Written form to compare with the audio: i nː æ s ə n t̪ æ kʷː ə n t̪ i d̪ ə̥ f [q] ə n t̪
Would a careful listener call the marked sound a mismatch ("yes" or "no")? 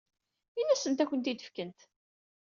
yes